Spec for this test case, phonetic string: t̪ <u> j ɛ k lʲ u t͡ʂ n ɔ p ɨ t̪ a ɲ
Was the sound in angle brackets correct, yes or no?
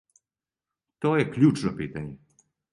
no